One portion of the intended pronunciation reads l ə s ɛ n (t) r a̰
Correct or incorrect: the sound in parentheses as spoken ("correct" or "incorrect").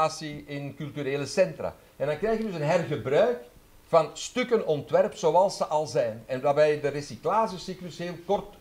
correct